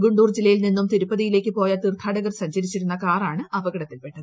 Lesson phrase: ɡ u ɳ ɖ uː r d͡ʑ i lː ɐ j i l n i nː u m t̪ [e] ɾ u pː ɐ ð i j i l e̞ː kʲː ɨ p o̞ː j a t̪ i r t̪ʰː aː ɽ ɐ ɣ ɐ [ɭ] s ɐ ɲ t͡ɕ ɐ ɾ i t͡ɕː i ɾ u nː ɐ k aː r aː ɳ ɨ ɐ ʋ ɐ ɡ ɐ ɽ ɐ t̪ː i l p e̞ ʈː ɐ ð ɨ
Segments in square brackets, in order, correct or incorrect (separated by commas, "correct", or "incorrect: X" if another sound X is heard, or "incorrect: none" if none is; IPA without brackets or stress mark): incorrect: i, incorrect: r